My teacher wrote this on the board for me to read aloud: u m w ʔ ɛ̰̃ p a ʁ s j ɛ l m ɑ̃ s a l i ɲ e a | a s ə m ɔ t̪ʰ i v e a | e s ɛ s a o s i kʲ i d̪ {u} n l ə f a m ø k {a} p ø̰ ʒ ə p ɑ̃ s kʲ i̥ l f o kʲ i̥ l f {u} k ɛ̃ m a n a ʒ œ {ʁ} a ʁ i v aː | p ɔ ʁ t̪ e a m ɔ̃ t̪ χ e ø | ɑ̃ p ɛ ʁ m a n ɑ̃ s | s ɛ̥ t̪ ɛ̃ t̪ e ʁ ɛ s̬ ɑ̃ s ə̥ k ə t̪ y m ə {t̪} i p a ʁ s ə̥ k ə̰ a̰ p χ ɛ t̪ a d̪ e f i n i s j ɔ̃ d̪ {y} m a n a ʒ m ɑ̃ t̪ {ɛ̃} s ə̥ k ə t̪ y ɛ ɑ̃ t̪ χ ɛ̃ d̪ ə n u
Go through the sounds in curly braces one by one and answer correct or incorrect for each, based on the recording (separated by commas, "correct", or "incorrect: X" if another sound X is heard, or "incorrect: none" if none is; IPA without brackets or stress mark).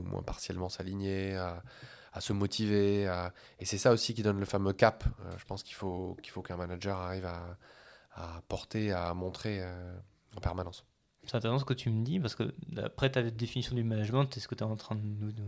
incorrect: ɔ, correct, incorrect: o, correct, incorrect: d̪, correct, incorrect: ɛ